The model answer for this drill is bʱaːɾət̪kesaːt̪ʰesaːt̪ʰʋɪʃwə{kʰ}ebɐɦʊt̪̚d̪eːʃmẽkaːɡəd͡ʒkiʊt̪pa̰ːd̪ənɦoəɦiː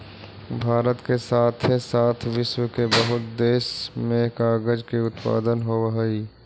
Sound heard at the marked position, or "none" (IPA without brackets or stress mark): k